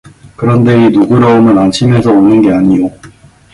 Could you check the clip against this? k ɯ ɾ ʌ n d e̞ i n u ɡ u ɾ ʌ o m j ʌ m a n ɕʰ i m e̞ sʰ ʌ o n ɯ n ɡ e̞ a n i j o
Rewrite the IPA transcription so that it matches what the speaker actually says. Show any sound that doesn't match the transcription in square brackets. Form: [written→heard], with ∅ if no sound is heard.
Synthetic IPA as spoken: k ɯ ɾ ʌ n d e̞ i n u ɡ u ɾ ʌ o m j ʌ [m→n] a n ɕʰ i m e̞ sʰ ʌ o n ɯ n ɡ e̞ a [n→ɲ] i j o